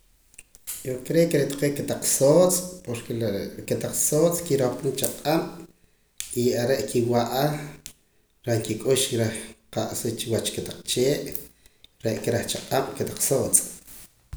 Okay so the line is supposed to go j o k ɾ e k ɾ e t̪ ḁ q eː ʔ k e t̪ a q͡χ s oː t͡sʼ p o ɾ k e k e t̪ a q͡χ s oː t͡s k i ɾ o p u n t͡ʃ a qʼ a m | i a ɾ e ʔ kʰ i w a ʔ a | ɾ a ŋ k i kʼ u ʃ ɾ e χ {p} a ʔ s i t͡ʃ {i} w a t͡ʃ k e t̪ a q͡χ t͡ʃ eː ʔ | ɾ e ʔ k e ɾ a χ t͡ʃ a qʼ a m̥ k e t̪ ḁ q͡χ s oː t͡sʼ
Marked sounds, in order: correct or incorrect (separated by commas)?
incorrect, correct